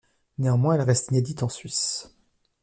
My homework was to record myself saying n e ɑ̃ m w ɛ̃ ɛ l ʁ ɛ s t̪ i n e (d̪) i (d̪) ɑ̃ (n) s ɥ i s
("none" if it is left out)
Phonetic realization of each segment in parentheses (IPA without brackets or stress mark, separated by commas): d̪, t̪, none